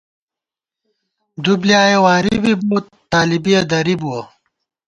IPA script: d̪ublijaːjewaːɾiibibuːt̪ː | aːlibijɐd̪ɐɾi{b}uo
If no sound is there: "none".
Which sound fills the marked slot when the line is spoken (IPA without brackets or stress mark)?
b